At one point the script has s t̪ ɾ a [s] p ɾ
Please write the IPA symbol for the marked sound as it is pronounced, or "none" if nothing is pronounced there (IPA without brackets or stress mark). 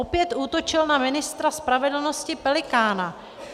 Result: s